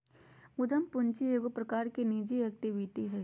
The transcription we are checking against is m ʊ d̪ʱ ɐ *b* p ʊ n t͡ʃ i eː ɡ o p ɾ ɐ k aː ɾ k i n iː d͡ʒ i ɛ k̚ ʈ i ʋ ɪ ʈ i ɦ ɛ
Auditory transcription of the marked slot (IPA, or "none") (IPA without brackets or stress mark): m